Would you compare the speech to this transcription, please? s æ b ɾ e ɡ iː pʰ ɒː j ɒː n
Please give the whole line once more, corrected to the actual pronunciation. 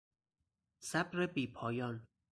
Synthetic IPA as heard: s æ b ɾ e b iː pʰ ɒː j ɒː n